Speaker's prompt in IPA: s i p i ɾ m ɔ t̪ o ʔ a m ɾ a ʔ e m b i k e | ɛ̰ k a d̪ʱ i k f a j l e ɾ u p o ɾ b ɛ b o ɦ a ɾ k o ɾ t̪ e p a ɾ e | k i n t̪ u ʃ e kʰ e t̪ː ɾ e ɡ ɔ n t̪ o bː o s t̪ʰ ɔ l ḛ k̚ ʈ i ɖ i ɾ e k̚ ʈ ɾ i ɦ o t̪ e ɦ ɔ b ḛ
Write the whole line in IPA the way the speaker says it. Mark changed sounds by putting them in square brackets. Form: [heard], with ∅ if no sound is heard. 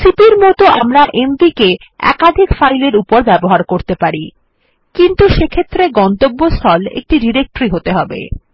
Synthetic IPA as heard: s i p i ɾ m ɔ t̪ o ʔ a m ɾ a ʔ e m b i k e | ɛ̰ k a d̪ʱ i k f a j l e ɾ u p o ɾ b ɛ b o ɦ a ɾ k o ɾ t̪ e p a ɾ [i] | k i n t̪ u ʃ e kʰ e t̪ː ɾ e ɡ ɔ n t̪ o bː o s t̪ʰ ɔ l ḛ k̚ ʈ i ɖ i ɾ e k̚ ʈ ɾ i ɦ o t̪ e ɦ ɔ b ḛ